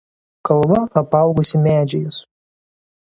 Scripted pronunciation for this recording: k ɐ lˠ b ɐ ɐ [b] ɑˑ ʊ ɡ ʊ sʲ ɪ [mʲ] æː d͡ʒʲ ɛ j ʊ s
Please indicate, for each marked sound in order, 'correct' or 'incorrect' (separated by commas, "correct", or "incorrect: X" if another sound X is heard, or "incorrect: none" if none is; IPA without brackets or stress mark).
incorrect: p, correct